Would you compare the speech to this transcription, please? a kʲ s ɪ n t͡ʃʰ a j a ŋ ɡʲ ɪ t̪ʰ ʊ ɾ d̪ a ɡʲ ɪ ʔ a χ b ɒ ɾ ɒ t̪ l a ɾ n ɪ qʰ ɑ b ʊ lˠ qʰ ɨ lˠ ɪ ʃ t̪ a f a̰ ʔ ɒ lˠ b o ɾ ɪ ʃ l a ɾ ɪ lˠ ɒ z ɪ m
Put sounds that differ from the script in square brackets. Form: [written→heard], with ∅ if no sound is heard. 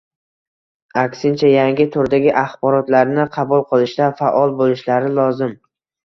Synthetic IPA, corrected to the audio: a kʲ s ɪ n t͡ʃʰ a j a ŋ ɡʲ ɪ t̪ʰ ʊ ɾ d̪ a ɡʲ ɪ ʔ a χ b ɒ ɾ ɒ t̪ l a ɾ n ɪ qʰ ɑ b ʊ lˠ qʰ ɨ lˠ ɪ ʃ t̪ a f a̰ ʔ ɒ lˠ b o [ɾ→l] ɪ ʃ l a ɾ ɪ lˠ ɒ z ɪ m